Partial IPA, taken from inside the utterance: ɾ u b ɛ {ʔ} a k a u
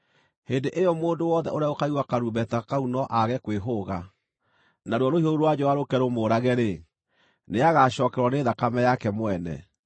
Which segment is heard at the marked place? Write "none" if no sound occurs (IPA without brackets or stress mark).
t